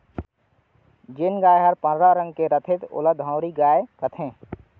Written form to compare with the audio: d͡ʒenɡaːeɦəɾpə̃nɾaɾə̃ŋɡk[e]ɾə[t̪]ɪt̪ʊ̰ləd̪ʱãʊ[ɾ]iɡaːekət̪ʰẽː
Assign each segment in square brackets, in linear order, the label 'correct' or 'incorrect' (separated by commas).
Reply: correct, incorrect, correct